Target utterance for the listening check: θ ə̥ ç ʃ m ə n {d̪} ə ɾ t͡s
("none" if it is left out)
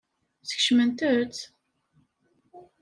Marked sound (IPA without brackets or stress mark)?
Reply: t̪